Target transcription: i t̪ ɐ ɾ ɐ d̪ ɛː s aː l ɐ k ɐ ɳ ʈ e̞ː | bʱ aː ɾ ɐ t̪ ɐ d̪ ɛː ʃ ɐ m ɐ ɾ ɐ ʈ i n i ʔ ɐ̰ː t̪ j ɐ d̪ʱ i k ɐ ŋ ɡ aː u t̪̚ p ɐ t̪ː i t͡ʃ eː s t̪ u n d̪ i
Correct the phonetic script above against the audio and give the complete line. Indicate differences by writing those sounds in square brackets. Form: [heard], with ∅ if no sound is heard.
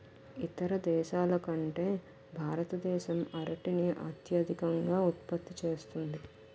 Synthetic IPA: i t̪ ɐ ɾ ɐ d̪ ɛː [ʃ] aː l ɐ k ɐ ɳ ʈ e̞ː | bʱ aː ɾ ɐ t̪ ɐ d̪ ɛː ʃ ɐ m ɐ ɾ ɐ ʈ i n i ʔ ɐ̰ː t̪ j ɐ d̪ʱ i k ɐ ŋ ɡ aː u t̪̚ p ɐ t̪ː i t͡ʃ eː s t̪ u n d̪ i